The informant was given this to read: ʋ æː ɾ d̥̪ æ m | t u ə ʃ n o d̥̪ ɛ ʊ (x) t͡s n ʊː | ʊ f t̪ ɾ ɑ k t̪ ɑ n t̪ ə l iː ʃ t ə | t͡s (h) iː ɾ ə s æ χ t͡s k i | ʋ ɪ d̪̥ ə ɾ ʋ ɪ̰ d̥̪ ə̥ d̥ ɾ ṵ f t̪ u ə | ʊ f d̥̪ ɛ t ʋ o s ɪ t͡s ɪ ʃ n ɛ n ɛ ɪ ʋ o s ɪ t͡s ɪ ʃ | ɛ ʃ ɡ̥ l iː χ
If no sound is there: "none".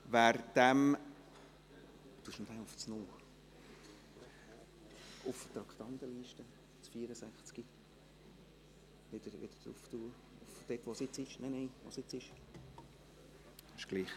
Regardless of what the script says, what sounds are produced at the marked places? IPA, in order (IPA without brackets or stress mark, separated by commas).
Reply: f, f